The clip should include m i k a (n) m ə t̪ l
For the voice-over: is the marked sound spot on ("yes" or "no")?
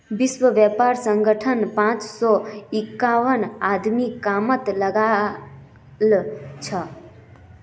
no